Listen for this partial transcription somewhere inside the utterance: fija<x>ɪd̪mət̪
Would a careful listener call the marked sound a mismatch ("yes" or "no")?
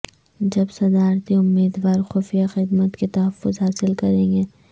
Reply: no